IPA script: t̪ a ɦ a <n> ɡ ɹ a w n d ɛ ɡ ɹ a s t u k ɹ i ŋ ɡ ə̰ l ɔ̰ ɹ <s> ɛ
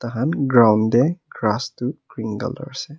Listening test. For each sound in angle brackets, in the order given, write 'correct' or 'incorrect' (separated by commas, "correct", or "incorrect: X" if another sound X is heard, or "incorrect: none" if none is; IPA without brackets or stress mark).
correct, correct